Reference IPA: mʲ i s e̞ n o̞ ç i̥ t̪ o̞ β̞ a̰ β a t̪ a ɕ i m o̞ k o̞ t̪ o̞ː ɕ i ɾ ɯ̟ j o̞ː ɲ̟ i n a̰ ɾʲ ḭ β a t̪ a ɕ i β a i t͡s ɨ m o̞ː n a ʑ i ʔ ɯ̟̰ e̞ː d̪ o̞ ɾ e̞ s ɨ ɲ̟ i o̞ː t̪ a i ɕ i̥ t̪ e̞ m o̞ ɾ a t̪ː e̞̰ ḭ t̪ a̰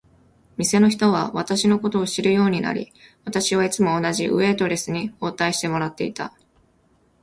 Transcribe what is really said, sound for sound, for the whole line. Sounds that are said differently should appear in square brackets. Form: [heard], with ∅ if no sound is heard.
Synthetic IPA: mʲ i s e̞ n o̞ ç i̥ t̪ o̞ β̞ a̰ β a t̪ a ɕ i [n] o̞ k o̞ t̪ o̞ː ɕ i ɾ ɯ̟ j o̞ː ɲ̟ i n a̰ ɾʲ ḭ β a t̪ a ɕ i β a i t͡s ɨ m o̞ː n a ʑ i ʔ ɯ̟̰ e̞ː [t̪] o̞ ɾ e̞ s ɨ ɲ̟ i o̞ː t̪ a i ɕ i̥ t̪ e̞ m o̞ ɾ a t̪ː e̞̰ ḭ t̪ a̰